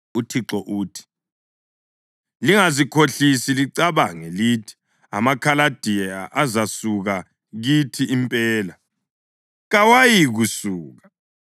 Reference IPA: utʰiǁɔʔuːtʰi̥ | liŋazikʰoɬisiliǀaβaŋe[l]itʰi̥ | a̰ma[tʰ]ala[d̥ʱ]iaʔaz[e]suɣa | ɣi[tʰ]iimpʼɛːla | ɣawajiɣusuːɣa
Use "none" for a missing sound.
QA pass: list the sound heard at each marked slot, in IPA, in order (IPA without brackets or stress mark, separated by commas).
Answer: l, kʰ, d̥ʱ, a, tʰ